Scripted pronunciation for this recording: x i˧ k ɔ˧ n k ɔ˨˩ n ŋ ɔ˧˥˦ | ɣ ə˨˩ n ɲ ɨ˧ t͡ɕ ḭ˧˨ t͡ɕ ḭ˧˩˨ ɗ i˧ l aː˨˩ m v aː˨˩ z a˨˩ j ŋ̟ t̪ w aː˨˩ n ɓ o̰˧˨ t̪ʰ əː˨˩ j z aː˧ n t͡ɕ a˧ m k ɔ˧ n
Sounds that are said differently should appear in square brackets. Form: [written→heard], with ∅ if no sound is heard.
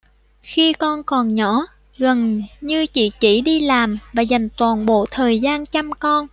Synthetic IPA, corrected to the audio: x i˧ k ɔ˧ n k ɔ˨˩ n [ŋ→ɲ] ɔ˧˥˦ | ɣ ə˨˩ n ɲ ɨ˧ t͡ɕ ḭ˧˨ t͡ɕ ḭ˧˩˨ ɗ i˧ l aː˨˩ m v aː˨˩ z a˨˩ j ŋ̟ t̪ w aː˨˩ n ɓ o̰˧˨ t̪ʰ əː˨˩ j z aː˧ n t͡ɕ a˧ m k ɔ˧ n